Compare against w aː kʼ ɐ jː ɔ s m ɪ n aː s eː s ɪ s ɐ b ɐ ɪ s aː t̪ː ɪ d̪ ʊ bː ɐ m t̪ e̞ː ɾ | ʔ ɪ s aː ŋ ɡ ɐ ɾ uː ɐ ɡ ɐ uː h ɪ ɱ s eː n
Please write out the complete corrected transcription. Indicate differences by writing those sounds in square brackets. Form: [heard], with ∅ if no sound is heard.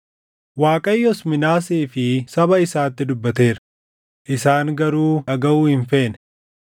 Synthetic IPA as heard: w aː kʼ ɐ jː ɔ s m ɪ n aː s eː [f] ɪ s ɐ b ɐ ɪ s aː t̪ː ɪ d̪ ʊ bː ɐ [∅] t̪ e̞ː ɾ | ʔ ɪ s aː ŋ ɡ ɐ ɾ uː ɐ ɡ ɐ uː h ɪ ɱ [f] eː n